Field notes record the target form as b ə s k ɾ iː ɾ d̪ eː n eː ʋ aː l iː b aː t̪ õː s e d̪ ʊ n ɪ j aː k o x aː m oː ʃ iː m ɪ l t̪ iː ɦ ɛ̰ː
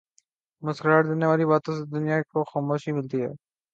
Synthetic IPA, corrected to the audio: m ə s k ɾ aː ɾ d̪ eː n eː ʋ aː l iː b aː t̪ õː s e d̪ ʊ n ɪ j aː k o x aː m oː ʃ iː m ɪ l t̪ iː ɦ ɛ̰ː